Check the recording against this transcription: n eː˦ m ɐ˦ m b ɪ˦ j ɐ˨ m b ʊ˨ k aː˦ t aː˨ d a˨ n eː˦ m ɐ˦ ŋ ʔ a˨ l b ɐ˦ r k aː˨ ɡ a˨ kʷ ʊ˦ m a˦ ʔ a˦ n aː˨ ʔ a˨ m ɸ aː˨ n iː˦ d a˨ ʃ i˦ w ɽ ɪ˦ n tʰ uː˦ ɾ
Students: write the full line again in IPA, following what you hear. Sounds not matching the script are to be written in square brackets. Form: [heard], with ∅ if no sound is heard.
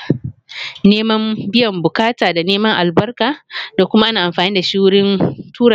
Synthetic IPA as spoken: n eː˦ m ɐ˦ m b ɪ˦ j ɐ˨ m b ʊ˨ k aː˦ t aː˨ d a˨ n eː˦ m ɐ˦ ŋ ʔ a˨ l b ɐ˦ r k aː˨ [d] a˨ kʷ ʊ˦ m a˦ ʔ a˦ n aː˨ ʔ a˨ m ɸ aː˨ n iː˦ d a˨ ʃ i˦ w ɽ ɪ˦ n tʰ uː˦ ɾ